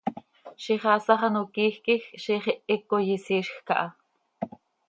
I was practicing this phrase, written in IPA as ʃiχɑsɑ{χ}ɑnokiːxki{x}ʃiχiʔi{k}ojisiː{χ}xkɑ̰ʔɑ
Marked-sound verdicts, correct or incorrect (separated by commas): correct, correct, correct, incorrect